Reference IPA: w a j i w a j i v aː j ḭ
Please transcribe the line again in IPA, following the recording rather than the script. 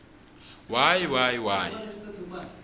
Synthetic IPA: w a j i w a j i w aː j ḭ